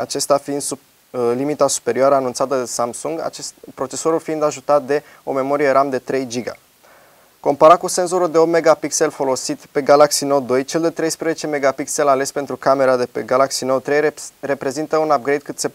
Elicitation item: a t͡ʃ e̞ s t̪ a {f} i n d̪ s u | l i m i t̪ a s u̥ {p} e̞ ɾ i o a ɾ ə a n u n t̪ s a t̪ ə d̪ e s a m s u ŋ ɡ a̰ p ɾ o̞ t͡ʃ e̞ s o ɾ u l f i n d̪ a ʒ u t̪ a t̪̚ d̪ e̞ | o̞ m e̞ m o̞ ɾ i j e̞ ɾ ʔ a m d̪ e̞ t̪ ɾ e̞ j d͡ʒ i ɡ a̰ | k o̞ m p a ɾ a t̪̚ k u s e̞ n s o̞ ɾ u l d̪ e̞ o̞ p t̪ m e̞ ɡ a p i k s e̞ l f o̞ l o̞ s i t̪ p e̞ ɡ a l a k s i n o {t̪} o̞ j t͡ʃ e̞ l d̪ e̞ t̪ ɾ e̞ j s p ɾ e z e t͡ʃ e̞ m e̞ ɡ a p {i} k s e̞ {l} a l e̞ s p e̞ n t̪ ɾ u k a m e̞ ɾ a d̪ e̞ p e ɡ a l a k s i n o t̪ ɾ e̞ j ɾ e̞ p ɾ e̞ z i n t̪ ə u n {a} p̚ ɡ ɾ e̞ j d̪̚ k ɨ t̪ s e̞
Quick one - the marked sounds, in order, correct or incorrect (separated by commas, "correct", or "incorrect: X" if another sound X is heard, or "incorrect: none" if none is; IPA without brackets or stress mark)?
correct, correct, incorrect: d̪, correct, correct, correct